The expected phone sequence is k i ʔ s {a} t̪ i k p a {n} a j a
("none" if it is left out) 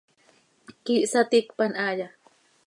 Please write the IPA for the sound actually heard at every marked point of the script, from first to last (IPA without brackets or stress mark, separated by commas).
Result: a, n